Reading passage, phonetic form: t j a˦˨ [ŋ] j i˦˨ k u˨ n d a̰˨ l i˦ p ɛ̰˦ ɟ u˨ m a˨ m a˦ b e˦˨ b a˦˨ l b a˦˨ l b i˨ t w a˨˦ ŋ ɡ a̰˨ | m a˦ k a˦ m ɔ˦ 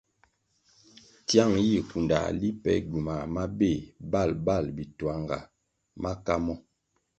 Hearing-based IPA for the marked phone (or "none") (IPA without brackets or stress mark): ŋ